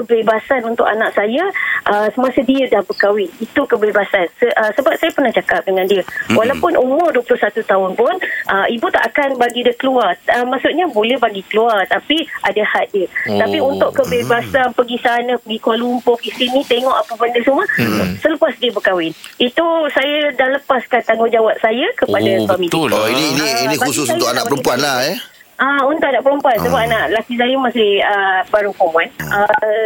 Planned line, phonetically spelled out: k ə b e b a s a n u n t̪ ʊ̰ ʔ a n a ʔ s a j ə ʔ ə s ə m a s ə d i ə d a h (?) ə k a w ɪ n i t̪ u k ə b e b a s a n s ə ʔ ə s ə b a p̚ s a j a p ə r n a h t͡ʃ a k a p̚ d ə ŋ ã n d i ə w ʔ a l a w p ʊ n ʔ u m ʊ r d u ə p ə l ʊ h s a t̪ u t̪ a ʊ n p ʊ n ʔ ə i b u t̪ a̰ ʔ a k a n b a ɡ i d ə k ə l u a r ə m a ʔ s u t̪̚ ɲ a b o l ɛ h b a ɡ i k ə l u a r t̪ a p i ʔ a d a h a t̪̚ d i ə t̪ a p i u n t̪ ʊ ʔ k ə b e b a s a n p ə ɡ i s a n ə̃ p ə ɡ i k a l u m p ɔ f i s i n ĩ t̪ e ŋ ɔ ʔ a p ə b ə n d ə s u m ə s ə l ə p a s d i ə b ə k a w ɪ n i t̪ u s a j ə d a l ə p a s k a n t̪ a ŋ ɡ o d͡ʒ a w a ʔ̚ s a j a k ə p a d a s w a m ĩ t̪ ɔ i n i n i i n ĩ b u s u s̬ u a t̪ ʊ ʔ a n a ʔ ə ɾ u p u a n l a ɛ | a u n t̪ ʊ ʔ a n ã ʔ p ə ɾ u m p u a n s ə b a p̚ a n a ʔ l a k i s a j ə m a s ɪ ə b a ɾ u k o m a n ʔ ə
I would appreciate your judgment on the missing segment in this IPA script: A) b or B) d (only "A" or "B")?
A